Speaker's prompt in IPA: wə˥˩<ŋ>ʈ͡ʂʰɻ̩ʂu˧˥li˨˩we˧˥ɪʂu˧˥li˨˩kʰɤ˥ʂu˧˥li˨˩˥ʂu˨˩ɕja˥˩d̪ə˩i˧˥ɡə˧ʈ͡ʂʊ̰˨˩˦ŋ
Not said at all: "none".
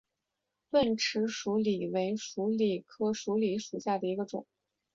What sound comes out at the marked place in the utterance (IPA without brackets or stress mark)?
n